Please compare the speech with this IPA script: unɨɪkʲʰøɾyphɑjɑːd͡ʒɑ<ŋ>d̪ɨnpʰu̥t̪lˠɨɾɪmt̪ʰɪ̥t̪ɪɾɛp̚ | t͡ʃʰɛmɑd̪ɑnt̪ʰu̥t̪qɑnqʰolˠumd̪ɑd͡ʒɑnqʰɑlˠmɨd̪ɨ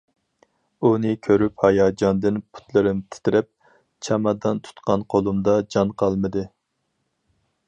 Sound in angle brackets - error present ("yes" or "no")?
yes